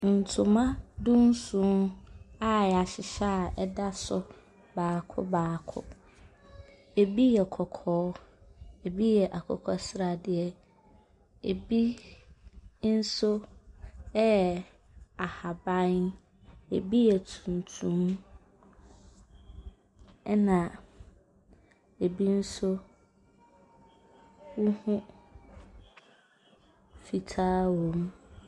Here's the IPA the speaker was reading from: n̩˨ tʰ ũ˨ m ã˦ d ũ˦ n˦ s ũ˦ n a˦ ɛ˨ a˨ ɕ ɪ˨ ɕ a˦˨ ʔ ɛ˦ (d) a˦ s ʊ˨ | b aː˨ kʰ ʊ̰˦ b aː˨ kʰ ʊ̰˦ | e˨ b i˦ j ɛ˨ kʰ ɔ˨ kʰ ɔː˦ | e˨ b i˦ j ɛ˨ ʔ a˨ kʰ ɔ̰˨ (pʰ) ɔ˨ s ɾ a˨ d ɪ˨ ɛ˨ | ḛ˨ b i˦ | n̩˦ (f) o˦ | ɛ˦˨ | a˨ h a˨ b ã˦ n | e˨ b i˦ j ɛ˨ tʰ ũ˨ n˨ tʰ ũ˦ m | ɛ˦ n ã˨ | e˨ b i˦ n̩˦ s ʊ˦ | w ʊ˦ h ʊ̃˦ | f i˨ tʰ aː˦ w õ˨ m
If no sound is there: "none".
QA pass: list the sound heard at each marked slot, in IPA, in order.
d, kʰ, s

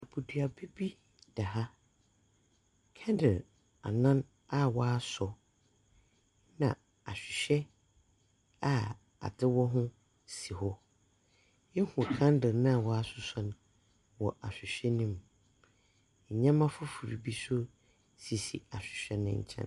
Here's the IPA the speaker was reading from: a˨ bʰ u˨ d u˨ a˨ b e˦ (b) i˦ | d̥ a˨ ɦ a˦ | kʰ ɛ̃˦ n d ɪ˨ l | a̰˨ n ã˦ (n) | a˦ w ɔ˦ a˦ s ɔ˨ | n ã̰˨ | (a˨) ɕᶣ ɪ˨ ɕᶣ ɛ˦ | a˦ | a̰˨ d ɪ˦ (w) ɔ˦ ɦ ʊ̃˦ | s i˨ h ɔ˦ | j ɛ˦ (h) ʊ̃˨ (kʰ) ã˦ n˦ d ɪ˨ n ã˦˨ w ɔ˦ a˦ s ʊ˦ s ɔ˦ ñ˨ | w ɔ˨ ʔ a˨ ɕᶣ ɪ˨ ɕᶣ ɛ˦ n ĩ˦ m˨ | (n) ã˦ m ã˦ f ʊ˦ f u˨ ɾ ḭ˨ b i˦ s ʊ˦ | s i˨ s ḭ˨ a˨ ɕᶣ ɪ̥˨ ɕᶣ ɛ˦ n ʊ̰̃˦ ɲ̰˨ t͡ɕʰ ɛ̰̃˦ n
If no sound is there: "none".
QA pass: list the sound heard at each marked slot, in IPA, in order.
b, n, a˨, w, h, kʰ, ɲ

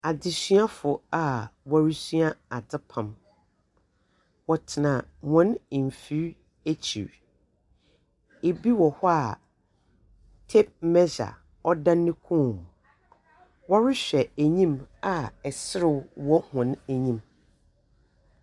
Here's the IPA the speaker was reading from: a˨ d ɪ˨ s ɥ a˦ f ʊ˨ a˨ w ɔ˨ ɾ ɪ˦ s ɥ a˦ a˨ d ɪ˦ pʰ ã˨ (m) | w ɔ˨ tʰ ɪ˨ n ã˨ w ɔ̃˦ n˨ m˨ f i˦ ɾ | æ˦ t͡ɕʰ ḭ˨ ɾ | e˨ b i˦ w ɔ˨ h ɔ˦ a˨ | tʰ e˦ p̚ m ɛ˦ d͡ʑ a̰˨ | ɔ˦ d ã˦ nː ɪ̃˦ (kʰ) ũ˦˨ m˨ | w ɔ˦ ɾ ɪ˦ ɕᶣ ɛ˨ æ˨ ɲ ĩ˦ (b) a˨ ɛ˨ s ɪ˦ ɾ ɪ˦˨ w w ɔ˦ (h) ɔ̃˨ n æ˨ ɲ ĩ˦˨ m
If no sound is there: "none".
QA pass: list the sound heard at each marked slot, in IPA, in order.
m, kʰ, m, h

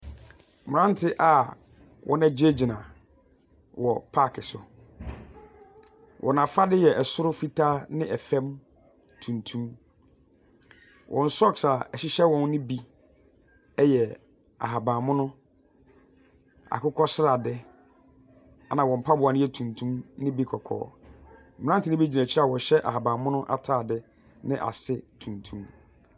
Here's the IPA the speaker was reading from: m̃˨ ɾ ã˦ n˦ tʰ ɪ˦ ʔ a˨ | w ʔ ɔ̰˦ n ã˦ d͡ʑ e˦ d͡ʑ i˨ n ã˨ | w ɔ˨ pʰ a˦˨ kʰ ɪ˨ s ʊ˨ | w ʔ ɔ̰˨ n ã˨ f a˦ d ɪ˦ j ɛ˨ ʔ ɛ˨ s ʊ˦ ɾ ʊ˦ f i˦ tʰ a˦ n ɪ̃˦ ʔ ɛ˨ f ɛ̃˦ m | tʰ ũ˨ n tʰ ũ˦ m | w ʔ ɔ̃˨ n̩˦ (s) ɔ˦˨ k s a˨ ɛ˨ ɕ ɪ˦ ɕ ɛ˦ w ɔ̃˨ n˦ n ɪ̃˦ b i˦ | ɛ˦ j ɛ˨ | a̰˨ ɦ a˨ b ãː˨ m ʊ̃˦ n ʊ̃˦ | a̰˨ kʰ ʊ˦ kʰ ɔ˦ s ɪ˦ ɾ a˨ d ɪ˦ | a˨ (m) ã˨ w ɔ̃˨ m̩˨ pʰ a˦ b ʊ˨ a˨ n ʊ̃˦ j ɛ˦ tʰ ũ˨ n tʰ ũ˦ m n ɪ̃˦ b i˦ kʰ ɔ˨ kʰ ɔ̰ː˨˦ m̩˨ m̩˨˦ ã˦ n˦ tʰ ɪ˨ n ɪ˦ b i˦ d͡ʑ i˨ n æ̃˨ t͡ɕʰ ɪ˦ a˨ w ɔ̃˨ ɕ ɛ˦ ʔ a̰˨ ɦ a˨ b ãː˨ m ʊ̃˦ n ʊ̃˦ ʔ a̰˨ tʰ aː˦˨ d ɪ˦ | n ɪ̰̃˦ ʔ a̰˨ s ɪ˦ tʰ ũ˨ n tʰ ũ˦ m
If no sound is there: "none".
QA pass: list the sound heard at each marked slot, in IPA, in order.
s, n

